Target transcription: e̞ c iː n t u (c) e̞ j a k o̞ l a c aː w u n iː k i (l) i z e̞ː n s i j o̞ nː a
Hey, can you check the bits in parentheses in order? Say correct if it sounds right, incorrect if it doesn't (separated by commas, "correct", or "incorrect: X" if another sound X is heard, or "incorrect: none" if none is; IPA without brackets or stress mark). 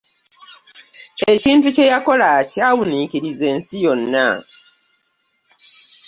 correct, incorrect: ɾ